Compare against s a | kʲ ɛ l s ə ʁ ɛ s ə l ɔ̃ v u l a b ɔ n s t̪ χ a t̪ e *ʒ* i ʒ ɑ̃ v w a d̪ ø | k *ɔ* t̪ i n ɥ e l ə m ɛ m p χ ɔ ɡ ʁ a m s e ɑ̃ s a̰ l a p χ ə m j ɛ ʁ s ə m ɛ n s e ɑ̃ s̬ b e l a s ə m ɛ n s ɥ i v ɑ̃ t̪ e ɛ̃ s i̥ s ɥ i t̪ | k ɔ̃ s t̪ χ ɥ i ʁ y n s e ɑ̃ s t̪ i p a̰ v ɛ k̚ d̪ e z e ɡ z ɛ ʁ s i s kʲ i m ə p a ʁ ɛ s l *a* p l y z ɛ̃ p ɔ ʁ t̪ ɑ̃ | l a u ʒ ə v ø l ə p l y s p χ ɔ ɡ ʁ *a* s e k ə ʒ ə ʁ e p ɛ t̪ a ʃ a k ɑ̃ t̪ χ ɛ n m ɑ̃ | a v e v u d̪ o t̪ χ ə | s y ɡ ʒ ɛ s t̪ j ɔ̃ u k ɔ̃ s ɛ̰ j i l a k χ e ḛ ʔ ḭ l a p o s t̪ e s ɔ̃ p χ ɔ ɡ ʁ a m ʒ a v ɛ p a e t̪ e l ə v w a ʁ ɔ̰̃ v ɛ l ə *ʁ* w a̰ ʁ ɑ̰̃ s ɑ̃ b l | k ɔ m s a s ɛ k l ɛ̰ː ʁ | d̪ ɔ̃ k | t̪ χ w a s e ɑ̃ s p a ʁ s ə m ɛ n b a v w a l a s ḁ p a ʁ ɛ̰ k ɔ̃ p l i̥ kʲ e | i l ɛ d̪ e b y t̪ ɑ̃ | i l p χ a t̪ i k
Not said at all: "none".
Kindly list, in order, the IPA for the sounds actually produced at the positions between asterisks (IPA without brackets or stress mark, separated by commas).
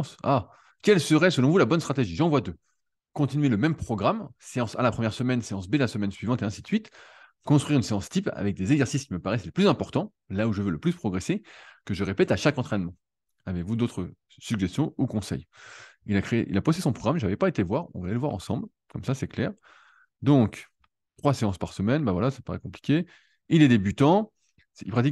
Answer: ʒ, ɔ̃, e, e, v